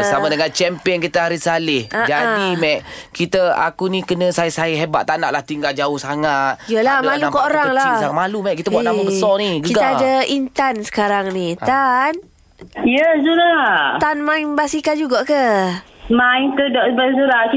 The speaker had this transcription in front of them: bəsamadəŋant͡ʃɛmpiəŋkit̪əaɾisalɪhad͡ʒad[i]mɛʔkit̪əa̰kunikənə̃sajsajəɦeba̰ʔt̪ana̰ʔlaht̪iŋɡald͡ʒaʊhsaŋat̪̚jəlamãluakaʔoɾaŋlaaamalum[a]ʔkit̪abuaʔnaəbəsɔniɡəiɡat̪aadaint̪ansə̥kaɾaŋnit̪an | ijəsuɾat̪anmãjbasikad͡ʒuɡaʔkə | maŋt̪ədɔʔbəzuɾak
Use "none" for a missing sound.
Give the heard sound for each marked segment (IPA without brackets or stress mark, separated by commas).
i, ɛ